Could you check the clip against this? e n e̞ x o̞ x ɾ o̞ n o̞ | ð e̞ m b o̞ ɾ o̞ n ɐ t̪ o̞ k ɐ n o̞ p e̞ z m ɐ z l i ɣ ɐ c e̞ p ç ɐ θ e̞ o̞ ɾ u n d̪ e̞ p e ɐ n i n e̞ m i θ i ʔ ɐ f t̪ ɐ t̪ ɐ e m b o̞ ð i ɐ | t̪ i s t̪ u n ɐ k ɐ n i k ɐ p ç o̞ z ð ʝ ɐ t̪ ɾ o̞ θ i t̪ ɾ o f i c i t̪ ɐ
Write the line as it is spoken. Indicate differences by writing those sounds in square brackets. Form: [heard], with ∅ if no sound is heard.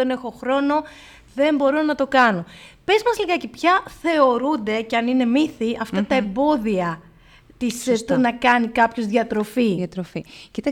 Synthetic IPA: e n e̞ x o̞ x ɾ o̞ n o̞ | ð e̞ m b o̞ ɾ o̞ n ɐ t̪ o̞ k ɐ n o̞ p e̞ z m ɐ z l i ɣ ɐ c e̞ p ç ɐ θ e̞ o̞ ɾ u n d̪ e̞ [c] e ɐ n i n e̞ m i θ i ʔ ɐ f t̪ ɐ t̪ ɐ e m b o̞ ð i ɐ | t̪ i s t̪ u n ɐ k ɐ n i k ɐ p ç o̞ z ð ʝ ɐ t̪ ɾ o̞ [f] i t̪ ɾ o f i c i t̪ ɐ